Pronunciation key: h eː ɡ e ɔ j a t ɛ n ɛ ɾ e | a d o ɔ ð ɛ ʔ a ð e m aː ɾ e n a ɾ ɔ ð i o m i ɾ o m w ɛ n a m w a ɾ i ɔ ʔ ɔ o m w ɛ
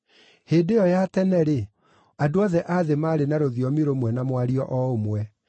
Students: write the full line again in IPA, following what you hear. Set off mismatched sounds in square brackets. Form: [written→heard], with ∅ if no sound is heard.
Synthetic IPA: h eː [ɡ→d] e ɔ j a t ɛ n ɛ ɾ e | a d o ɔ ð ɛ ʔ a ð e m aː ɾ e n a ɾ [ɔ→o] ð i [o→ɔ] m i ɾ o m w ɛ n a m w a ɾ i ɔ ʔ ɔ o m w ɛ